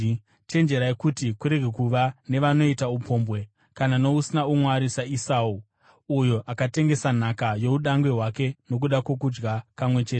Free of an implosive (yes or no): no